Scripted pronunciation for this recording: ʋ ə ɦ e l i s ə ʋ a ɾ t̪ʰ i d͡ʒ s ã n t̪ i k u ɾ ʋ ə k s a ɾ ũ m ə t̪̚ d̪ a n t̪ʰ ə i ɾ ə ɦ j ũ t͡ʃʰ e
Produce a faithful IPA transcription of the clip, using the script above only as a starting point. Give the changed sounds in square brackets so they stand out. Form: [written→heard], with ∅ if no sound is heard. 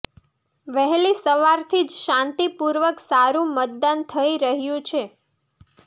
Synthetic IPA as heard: ʋ ə ɦ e l i s ə ʋ a ɾ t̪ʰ i d͡ʒ [s→ʃ] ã n t̪ i [k→p] u ɾ ʋ ə k s a ɾ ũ m ə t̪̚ d̪ a n t̪ʰ ə i ɾ ə ɦ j ũ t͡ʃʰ e